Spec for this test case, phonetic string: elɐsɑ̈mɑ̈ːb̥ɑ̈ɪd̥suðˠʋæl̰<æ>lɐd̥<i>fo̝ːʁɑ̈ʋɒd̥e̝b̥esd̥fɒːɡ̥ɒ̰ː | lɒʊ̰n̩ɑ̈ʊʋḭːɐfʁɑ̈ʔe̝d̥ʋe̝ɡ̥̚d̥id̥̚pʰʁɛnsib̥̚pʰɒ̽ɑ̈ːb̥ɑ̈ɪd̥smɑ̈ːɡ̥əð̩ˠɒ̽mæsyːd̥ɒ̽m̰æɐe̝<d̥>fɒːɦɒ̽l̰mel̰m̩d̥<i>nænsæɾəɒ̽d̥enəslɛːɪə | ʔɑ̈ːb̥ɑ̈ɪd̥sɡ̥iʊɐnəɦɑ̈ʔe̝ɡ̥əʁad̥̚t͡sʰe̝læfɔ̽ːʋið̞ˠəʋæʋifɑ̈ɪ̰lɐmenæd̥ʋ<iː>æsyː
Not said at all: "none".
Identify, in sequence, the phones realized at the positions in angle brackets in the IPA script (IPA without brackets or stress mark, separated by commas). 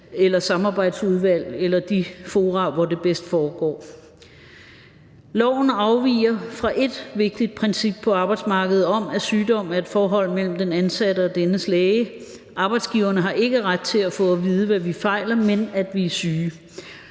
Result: e, i, d̥, e, i